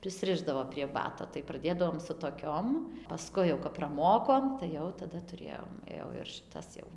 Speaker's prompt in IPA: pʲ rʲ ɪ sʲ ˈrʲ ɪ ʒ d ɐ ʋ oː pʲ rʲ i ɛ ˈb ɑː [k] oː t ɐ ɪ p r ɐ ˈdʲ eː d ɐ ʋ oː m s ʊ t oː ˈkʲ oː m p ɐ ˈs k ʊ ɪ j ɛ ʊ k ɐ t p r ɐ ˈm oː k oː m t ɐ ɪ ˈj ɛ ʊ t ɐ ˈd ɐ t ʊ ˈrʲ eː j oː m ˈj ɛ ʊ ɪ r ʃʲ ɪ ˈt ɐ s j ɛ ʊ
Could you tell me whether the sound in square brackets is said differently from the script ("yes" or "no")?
yes